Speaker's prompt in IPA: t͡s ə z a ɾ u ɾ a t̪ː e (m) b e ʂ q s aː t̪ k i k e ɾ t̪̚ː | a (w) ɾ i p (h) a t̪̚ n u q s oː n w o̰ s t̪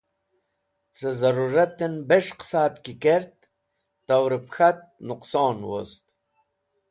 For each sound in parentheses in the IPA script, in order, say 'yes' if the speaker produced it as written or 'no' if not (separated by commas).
no, yes, no